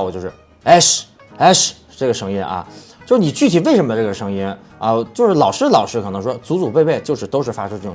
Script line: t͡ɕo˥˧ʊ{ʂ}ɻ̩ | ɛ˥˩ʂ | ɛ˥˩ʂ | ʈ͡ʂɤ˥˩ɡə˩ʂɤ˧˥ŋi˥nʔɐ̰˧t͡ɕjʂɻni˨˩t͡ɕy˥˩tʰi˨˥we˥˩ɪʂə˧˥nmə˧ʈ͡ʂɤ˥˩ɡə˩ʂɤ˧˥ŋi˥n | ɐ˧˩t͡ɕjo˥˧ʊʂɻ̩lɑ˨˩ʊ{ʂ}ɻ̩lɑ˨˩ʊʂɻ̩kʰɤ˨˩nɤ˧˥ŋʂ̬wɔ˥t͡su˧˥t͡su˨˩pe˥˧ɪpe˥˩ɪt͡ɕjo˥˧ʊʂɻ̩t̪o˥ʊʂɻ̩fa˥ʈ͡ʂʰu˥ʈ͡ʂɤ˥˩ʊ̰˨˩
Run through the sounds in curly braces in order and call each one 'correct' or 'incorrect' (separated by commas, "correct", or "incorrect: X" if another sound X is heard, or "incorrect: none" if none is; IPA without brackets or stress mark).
correct, correct